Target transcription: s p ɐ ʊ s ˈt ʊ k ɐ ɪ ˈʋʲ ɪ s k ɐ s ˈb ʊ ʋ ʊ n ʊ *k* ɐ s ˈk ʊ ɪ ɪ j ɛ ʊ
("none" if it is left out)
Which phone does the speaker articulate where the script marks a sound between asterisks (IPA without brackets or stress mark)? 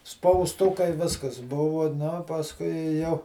p